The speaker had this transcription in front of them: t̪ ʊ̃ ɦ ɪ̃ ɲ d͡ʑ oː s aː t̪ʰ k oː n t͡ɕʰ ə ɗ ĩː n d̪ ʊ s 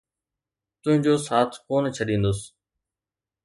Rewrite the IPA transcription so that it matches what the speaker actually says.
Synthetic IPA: t̪ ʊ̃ ɦ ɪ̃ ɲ d͡ʑ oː s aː t̪ʰ k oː n t͡ɕʰ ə ɗ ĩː n d̪ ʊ s

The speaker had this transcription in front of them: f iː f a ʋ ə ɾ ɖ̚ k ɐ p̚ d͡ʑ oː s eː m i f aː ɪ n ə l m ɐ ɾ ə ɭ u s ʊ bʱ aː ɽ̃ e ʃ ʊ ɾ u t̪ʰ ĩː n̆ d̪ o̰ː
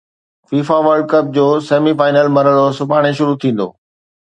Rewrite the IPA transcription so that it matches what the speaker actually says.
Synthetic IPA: f iː f a ʋ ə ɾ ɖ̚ k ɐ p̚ d͡ʑ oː s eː m i f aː ɪ n ə l m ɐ ɾ ə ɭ o s ʊ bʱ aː ɽ̃ e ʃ ʊ ɾ u t̪ʰ ĩː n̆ d̪ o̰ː

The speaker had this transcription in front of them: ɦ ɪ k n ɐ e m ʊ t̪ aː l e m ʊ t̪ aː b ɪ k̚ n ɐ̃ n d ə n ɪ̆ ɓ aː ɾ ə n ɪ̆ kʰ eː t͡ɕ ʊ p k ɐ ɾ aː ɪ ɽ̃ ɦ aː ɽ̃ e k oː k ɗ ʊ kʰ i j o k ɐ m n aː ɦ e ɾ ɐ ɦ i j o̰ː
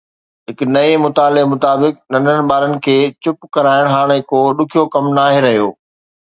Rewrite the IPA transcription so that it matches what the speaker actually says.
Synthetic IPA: ɦ ɪ k n ɐ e m ʊ t̪ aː l e m ʊ t̪ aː b ɪ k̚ n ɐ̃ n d ə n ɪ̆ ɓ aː ɾ ə n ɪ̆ kʰ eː t͡ɕ ʊ p k ɐ ɾ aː ɪ ɽ̃ ɦ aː ɽ̃ e k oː ɗ ʊ kʰ i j o k ɐ m n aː ɦ e ɾ ɐ ɦ i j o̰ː

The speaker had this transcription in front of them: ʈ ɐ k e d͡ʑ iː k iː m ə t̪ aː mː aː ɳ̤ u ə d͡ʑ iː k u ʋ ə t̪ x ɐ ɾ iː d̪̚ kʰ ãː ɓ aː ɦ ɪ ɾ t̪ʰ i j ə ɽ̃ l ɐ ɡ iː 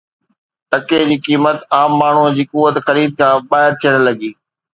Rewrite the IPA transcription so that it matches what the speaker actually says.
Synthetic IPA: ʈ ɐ k e d͡ʑ iː k iː m ə t̪ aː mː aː ɳ̤ u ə d͡ʑ iː k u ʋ ə t̪ x ɐ ɾ iː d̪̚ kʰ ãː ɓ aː ɦ ɪ ɾ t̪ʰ i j ə ɽ̃ l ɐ ɡ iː

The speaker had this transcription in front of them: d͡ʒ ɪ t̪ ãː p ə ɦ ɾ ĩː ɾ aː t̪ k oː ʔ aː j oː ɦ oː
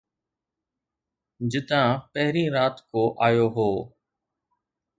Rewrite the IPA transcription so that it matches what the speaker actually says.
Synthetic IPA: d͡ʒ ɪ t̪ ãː p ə ɦ ɾ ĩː ɾ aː t̪ k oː ʔ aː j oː ɦ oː

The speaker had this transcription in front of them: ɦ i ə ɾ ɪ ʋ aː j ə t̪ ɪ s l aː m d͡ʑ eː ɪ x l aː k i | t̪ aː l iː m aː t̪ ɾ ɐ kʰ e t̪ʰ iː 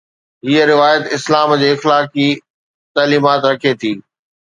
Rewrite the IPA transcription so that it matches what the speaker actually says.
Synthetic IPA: ɦ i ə ɾ ɪ ʋ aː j ə t̪ ɪ s l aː m d͡ʑ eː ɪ x l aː k i | t̪ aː l iː m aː t̪ ɾ ɐ kʰ e t̪ʰ iː

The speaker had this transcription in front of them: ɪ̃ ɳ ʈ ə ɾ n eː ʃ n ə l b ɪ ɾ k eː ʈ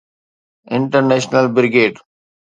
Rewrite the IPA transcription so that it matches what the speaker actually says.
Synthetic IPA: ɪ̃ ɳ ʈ ə ɾ n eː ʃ n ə l b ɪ ɾ ɡ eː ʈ

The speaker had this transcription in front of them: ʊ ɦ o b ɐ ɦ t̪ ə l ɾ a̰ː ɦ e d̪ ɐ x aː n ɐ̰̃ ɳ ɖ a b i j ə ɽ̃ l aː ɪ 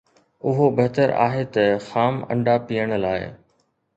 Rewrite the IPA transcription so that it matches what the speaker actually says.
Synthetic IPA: ʊ ɦ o b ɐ ɦ t̪ ə ɾ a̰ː ɦ e t̪ ɐ x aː m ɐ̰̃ ɳ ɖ a p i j ə ɽ̃ l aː ɪ

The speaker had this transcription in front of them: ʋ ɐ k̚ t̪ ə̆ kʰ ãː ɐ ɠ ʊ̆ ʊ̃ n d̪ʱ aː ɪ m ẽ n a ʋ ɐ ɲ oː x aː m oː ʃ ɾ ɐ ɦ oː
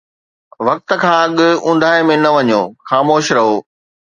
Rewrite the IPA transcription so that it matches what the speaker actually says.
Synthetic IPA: ʋ ɐ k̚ t̪ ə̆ kʰ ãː ɐ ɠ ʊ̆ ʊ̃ n d̪ʱ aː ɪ m ẽ n ɐ ʋ ɐ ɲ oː x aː m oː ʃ ɾ ɐ ɦ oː

